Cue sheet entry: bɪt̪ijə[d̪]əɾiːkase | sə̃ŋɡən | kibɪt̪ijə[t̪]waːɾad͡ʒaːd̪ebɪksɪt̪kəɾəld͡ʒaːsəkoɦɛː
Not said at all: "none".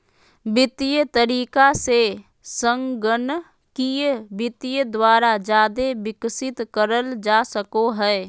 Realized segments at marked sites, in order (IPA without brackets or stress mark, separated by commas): t̪, d̪